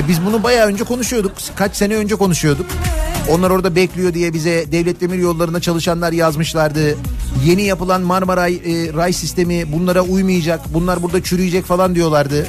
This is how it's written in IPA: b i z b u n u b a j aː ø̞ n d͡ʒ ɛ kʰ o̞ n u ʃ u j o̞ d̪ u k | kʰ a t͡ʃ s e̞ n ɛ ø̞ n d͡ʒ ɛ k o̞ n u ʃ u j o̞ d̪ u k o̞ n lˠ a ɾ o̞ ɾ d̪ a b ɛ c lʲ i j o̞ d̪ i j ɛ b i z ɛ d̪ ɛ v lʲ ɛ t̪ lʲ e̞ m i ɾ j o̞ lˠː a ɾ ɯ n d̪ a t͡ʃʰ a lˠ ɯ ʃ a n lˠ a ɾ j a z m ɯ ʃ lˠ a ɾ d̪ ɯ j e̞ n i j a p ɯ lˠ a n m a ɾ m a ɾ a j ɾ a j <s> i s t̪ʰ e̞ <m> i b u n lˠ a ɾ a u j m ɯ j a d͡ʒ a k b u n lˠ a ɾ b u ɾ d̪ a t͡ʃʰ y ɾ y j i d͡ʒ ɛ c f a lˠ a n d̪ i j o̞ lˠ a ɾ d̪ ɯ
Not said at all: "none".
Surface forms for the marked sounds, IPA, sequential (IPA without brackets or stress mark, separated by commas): s, m